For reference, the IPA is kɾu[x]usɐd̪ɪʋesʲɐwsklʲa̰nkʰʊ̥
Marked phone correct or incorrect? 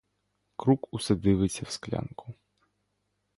incorrect